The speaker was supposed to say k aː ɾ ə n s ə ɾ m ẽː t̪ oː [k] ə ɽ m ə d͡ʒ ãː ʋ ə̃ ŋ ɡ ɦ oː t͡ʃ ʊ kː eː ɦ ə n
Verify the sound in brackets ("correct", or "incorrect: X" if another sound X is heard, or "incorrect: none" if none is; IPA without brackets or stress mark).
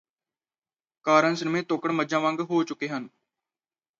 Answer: correct